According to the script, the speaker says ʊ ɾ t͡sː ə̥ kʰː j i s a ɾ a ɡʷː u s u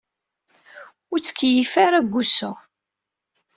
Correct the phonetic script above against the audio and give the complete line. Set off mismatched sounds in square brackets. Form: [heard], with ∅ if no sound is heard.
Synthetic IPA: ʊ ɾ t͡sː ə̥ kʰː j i [f] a ɾ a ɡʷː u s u